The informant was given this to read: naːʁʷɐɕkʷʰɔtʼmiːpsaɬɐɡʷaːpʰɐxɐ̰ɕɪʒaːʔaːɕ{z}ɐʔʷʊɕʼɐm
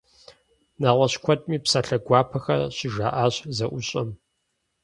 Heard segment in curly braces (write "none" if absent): z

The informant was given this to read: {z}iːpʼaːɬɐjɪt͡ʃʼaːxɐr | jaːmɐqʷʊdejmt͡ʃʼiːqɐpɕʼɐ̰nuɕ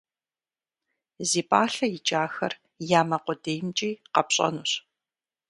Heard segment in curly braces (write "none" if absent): z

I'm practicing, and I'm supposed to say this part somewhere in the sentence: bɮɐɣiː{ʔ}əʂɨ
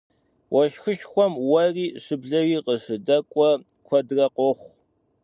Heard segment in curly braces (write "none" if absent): q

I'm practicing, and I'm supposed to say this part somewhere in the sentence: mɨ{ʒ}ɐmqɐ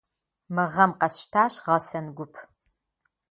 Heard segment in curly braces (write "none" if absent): ʁ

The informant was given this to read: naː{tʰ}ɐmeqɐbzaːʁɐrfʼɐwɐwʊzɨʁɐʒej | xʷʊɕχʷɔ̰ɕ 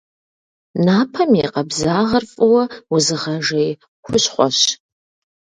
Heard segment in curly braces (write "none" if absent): pʰ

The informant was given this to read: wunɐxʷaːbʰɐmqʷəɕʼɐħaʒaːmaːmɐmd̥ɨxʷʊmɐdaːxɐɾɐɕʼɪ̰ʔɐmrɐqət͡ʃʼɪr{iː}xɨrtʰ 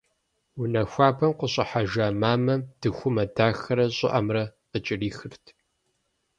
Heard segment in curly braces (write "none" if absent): iː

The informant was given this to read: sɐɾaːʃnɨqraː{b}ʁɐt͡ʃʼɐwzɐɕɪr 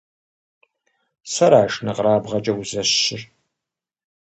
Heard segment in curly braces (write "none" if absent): b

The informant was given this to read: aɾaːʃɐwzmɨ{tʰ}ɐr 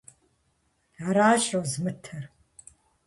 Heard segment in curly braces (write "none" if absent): tʰ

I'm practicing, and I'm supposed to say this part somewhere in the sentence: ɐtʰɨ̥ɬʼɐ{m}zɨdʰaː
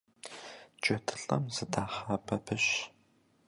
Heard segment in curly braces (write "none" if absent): m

